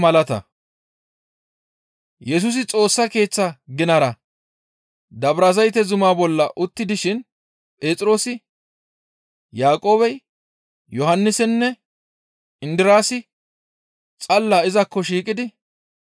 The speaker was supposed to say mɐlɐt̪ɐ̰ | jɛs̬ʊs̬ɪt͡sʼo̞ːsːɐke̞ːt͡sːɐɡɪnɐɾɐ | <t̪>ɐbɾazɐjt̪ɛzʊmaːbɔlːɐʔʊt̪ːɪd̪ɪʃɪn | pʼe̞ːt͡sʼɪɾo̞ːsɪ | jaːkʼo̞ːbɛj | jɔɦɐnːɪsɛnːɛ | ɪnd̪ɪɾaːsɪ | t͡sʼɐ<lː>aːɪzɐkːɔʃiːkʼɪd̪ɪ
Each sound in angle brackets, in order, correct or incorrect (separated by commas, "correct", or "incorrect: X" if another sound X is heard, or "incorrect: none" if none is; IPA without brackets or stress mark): incorrect: d̪, correct